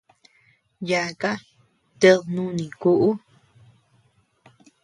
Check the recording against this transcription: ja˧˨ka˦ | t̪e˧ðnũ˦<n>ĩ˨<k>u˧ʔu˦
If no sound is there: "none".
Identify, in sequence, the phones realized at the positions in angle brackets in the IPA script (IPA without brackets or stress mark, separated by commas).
n, k